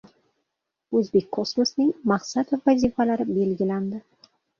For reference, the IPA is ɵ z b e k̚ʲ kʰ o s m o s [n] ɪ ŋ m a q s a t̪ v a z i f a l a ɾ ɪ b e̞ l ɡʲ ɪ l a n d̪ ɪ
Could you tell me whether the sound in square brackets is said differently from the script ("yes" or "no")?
no